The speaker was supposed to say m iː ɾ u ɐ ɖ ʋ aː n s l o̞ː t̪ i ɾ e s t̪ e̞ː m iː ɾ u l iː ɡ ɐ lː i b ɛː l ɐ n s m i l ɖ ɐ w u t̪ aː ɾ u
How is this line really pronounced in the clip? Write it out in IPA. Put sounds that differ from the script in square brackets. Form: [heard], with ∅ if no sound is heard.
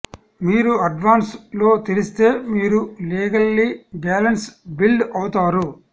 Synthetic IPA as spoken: m iː ɾ u ɐ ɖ ʋ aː n s l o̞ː t̪ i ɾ [i] s t̪ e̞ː m iː ɾ u l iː ɡ ɐ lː i b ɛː l ɐ n s [b] i l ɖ ɐ w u t̪ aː ɾ u